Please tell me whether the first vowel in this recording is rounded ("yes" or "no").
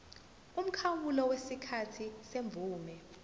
yes